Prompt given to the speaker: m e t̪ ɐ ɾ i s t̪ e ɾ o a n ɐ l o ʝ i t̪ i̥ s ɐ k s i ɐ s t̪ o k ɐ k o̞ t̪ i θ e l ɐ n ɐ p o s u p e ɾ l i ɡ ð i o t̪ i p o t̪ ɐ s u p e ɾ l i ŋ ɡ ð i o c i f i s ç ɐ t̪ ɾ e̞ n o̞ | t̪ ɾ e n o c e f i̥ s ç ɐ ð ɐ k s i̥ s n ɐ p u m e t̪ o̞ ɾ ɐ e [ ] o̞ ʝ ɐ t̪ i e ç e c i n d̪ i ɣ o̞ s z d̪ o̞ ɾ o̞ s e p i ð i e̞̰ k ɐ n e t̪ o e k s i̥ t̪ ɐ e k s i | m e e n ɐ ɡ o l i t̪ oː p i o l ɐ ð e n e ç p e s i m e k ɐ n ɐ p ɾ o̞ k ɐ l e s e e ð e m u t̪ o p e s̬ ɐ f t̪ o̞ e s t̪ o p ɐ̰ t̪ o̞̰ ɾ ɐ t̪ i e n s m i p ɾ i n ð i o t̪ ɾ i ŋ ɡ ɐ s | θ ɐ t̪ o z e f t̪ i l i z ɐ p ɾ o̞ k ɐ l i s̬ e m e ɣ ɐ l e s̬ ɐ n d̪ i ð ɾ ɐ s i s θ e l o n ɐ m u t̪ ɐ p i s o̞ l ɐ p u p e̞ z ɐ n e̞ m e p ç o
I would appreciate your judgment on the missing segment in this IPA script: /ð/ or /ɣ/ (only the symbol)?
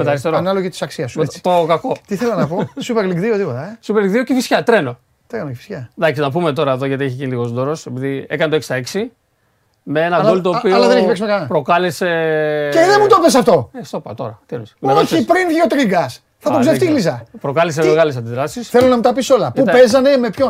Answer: ð